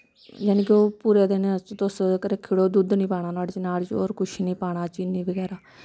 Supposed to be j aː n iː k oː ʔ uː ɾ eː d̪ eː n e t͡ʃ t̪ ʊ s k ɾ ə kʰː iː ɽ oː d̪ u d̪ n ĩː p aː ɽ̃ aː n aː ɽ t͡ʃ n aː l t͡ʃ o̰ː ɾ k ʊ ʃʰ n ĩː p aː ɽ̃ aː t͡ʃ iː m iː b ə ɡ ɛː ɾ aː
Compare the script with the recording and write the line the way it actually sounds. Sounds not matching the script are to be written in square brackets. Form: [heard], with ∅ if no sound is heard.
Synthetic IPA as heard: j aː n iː k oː [p] uː ɾ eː d̪ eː n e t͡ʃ t̪ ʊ s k ɾ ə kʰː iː ɽ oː d̪ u d̪ n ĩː p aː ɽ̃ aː n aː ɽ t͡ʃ n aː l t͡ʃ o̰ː ɾ k ʊ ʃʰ n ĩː p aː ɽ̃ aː t͡ʃ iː [n] iː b ə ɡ ɛː ɾ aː

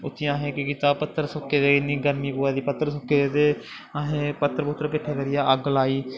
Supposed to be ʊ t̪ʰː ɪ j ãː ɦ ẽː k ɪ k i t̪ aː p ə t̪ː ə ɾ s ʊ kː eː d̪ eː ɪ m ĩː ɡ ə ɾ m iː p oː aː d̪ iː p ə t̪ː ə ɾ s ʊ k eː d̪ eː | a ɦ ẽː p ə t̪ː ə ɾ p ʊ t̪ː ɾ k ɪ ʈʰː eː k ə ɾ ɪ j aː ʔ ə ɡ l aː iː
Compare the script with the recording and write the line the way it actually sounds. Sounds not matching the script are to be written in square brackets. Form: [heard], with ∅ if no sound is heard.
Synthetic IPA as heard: ʊ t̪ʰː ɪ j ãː ɦ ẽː k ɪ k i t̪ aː p ə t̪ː ə ɾ s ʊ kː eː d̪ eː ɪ [n] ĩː ɡ ə ɾ m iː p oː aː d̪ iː p ə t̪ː ə ɾ s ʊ k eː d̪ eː | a ɦ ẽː p ə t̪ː ə ɾ p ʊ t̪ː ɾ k ɪ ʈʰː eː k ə ɾ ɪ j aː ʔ ə ɡ l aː iː

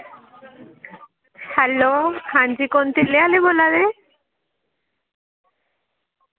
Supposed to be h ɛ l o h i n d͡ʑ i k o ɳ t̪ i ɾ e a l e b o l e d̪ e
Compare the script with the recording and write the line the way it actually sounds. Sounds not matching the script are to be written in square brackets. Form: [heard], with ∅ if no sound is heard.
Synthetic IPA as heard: h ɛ l o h [a] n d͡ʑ i k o [n] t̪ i [l] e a l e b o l [a] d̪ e

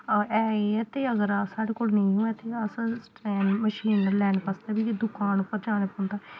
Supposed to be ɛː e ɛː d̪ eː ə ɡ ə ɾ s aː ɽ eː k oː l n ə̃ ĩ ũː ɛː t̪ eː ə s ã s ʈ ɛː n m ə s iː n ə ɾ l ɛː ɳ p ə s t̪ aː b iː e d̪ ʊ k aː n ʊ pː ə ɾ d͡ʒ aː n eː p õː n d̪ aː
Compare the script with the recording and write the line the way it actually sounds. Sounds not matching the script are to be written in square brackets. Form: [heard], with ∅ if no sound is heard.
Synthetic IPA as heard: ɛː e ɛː [t̪] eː ə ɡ ə ɾ s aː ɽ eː k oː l n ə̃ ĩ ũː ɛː t̪ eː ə s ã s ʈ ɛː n m ə [ʃ] iː n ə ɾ l ɛː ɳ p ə s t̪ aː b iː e d̪ ʊ k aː n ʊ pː ə ɾ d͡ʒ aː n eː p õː n d̪ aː

